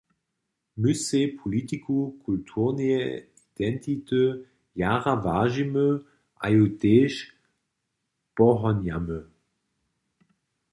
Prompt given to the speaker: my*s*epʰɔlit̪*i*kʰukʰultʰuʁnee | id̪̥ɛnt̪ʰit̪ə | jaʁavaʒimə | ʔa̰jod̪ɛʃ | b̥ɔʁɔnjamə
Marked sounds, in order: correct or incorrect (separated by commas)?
correct, correct